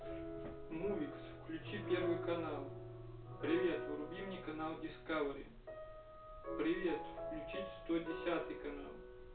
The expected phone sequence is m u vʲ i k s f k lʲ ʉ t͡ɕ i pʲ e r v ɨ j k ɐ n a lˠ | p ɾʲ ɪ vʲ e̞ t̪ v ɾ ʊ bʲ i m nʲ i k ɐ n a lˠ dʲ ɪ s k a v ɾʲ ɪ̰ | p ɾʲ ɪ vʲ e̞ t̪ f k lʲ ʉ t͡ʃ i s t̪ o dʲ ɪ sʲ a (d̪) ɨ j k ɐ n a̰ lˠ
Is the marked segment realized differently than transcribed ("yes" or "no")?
yes